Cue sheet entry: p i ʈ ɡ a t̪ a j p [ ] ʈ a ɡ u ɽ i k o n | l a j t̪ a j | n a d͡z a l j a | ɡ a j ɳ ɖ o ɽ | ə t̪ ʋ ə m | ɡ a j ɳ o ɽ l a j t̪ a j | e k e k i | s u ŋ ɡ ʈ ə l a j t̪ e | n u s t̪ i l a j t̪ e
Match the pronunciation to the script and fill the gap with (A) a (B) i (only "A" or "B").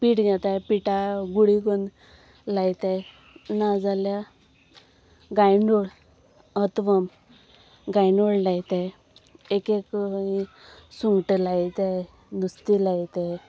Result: B